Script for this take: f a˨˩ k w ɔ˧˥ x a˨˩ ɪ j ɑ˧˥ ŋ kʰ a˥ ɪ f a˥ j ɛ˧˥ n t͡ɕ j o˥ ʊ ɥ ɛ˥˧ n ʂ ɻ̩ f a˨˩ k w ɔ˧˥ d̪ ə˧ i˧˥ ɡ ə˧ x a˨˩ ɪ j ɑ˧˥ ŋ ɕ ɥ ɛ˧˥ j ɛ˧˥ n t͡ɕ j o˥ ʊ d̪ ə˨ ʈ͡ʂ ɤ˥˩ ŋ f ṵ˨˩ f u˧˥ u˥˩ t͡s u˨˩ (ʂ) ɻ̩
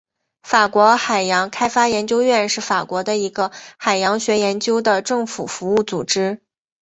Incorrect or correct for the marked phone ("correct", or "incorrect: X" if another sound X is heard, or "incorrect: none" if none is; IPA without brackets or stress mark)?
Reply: incorrect: ʈ͡ʂ